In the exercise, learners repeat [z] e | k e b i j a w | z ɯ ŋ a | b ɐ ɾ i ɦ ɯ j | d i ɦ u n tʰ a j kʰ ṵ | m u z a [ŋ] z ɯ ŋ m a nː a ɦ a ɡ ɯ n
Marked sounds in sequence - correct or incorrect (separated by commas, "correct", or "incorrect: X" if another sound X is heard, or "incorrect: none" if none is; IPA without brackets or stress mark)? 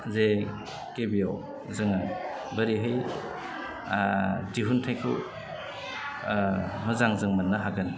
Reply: correct, correct